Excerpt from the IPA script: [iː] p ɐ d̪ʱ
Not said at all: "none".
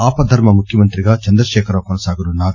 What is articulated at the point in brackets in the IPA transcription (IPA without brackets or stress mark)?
aː